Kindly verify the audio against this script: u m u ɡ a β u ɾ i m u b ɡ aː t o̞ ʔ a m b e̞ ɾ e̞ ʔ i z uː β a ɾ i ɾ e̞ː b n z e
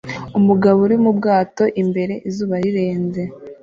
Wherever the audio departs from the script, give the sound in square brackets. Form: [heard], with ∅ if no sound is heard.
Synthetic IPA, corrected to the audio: u m u ɡ a β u ɾ i m u b ɡ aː t o̞ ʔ [i] m b e̞ ɾ e̞ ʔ i z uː β a ɾ i ɾ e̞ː [∅] n z e